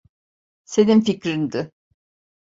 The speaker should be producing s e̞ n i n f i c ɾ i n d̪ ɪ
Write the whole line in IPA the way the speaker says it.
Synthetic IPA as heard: s e̞ n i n f i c ɾ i n d̪ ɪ